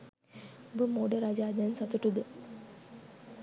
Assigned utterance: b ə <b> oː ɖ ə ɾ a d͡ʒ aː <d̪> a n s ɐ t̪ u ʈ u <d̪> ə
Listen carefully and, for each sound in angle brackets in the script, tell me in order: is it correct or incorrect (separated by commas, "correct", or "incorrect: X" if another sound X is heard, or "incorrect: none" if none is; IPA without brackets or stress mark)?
incorrect: m, correct, correct